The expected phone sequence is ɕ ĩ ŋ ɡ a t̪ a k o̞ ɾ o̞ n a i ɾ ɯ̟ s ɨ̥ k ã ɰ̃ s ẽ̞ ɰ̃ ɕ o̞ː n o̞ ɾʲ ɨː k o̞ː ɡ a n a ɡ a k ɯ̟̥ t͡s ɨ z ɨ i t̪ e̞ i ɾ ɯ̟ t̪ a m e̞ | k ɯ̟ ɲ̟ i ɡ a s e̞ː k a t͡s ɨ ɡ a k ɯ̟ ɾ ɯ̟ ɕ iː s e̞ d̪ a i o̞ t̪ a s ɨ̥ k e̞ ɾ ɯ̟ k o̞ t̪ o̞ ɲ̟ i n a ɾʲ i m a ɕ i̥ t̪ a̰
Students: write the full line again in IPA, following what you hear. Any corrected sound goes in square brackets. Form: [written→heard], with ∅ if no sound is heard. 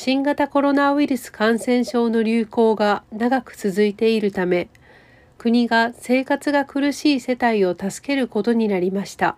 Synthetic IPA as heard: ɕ ĩ ŋ ɡ a t̪ a k o̞ ɾ o̞ n a i ɾ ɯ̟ s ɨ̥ k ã ɰ̃ s ẽ̞ ɰ̃ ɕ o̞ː n o̞ ɾʲ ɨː k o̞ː ɡ a n a ɡ a k ɯ̟̥ t͡s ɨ z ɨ i t̪ e̞ i ɾ ɯ̟ t̪ a m e̞ | k ɯ̟ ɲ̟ i ɡ a s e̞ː k a t͡s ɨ ɡ a k ɯ̟ ɾ ɯ̟ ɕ iː s e̞ [d̪→t̪] a i o̞ t̪ a s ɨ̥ k e̞ ɾ ɯ̟ k o̞ t̪ o̞ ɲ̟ i n a ɾʲ i m a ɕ i̥ t̪ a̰